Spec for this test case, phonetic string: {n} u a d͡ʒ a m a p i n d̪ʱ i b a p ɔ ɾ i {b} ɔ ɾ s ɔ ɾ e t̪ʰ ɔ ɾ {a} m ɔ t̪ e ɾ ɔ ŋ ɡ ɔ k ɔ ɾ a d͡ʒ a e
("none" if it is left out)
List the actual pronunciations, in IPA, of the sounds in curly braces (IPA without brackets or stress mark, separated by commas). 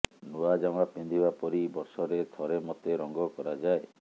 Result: n, b, e